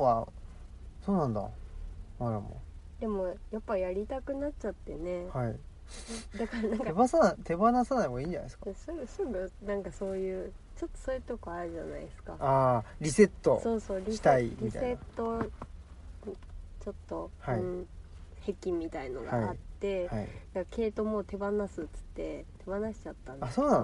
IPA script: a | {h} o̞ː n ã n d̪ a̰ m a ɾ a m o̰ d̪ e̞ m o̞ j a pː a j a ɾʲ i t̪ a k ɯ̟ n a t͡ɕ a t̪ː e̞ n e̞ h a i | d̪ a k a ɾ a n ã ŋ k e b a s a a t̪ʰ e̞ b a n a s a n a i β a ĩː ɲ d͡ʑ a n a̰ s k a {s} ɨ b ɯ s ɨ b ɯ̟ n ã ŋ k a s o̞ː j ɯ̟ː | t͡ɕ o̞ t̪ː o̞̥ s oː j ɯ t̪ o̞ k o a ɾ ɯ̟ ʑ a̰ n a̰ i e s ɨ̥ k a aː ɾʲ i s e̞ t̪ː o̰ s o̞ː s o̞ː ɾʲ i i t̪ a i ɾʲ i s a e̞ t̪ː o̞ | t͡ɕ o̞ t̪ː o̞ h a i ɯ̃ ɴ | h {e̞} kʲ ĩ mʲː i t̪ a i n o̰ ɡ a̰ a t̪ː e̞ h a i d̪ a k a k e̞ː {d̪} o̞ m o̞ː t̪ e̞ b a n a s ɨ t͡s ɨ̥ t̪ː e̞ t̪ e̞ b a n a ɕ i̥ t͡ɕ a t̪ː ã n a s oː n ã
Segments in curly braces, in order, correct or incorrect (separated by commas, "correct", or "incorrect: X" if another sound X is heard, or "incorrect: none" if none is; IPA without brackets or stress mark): incorrect: s, correct, correct, incorrect: t̪